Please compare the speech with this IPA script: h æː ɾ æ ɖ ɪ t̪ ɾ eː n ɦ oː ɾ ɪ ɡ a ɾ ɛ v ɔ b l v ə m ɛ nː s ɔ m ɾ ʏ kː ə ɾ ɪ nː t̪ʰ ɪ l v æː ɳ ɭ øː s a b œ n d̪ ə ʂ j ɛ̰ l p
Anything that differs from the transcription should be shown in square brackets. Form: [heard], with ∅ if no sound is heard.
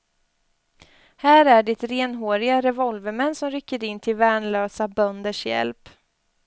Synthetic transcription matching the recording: h æː ɾ æ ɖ ɪ t̪ ɾ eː n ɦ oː ɾ ɪ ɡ a ɾ ɛ v ɔ [∅] l v ə m ɛ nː s ɔ m ɾ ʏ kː ə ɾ ɪ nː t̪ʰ ɪ l v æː ɳ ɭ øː s a b œ n d̪ ə ʂ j ɛ̰ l p